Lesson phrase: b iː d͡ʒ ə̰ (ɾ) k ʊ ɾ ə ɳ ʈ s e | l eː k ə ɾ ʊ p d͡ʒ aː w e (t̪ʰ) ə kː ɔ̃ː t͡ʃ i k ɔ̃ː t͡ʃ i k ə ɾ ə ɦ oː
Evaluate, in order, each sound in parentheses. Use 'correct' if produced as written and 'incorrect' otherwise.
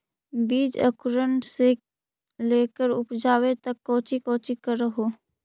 incorrect: none, incorrect: t̪

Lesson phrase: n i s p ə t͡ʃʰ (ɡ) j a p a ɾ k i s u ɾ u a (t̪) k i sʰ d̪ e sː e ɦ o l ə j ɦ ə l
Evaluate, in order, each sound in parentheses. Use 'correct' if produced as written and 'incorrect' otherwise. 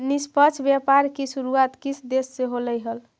incorrect: b, correct

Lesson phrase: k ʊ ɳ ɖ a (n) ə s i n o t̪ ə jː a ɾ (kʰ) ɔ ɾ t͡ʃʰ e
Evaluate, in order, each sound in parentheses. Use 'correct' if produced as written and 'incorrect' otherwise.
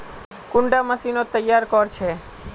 incorrect: m, incorrect: k

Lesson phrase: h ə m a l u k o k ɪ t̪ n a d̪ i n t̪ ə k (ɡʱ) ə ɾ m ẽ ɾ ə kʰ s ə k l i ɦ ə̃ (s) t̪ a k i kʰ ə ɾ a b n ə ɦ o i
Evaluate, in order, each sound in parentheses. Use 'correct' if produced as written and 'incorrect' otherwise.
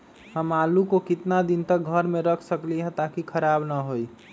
correct, incorrect: none

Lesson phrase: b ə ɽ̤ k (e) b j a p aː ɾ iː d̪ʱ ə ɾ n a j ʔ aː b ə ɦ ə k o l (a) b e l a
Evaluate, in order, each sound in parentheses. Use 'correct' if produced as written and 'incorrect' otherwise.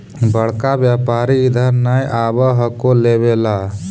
incorrect: a, incorrect: e

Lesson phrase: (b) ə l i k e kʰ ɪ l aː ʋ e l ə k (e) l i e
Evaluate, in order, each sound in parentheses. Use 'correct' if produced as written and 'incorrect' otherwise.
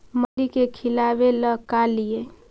incorrect: m, incorrect: a

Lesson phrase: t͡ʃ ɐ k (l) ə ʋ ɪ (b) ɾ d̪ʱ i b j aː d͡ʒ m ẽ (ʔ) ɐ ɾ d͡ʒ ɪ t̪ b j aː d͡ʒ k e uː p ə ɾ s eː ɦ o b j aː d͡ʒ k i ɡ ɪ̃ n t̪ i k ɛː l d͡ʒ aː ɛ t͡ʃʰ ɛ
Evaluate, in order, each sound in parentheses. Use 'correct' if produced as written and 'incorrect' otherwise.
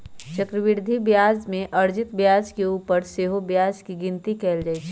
incorrect: ɾ, incorrect: none, correct

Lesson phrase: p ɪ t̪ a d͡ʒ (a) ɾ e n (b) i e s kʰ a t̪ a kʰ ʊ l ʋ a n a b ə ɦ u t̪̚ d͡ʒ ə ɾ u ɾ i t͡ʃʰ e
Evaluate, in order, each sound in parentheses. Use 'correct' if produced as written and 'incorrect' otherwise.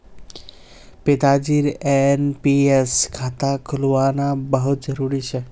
incorrect: i, incorrect: p

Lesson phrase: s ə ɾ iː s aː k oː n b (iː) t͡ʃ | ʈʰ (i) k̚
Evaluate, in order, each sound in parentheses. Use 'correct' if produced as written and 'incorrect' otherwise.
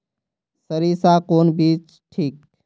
correct, incorrect: iː

